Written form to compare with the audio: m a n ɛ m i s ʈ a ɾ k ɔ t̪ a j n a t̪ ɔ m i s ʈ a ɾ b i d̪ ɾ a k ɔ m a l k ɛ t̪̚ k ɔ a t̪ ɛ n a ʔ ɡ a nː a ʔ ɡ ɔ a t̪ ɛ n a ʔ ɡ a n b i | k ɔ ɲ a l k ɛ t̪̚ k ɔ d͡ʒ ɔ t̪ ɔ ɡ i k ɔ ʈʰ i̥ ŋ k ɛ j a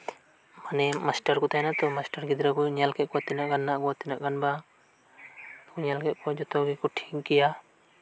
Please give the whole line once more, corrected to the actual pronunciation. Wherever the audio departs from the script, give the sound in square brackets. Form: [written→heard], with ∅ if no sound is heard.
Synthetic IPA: m a n ɛ m [i→a] s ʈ a ɾ k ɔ t̪ a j n a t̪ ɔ m [i→a] s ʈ a ɾ [b→ɡ] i d̪ ɾ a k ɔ [m→ɲ] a l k ɛ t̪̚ k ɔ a t̪ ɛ n a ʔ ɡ a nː a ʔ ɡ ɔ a t̪ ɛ n a ʔ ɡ a n b [i→a] | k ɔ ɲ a l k ɛ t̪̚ k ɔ d͡ʒ ɔ t̪ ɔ ɡ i k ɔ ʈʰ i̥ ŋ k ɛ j a